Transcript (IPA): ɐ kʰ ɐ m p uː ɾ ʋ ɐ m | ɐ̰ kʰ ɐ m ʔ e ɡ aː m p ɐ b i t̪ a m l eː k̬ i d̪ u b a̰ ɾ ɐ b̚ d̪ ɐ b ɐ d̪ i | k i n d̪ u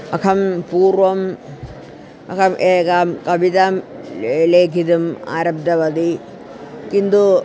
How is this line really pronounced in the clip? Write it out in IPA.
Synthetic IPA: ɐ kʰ ɐ m p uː ɾ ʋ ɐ m | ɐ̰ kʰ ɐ m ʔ e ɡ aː m k ɐ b i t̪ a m l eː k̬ i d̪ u m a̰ ɾ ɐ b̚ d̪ ɐ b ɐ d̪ i | k i n d̪ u